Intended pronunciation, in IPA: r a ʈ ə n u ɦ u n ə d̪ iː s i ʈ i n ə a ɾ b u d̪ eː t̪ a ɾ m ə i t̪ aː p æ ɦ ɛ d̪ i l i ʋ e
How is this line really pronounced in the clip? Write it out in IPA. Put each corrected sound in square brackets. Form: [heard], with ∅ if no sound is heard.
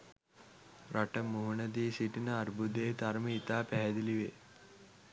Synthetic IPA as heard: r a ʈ ə [m] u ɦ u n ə d̪ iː s i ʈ i n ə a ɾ b u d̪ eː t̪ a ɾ m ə i t̪ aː p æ ɦ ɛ d̪ i l i ʋ e